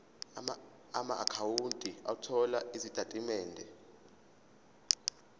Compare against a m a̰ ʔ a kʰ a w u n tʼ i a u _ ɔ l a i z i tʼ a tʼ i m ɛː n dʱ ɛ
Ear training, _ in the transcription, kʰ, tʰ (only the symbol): tʰ